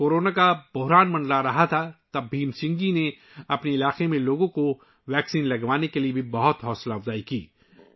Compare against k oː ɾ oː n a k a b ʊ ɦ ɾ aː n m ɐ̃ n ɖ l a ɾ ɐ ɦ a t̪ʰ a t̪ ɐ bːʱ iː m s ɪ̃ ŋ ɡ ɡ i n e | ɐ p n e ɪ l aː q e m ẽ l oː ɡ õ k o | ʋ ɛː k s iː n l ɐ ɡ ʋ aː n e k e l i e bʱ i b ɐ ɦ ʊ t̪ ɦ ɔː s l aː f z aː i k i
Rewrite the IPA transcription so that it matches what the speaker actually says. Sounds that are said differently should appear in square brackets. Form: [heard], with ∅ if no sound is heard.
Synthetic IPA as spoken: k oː ɾ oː n a k a b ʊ ɦ ɾ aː n m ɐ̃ n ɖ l a ɾ ɐ ɦ a t̪ʰ a t̪ ɐ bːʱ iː m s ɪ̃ ŋ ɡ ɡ i n e | ɐ p n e ɪ l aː q e m ẽ l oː ɡ õ k o | ʋ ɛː k s iː n l ɐ ɡ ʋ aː n e k e l i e bʱ i b ɐ ɦ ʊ t̪ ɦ ɔː s l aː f z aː i k [iː]